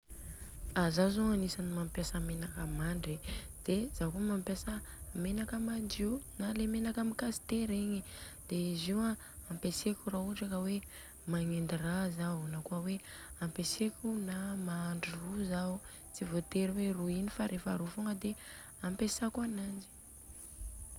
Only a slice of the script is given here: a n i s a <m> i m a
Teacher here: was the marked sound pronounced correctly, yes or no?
no